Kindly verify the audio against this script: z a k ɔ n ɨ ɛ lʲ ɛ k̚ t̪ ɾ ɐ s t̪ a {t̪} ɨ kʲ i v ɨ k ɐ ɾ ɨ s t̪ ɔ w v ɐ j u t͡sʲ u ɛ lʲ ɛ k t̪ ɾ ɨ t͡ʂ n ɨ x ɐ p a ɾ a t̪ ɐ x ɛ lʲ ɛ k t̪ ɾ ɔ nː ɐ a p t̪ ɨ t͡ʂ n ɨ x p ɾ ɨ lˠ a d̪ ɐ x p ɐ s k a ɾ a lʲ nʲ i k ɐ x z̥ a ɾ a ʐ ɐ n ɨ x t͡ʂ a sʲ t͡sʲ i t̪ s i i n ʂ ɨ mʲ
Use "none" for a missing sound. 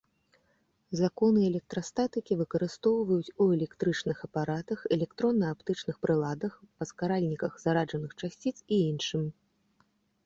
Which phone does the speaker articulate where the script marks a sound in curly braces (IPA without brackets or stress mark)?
t̪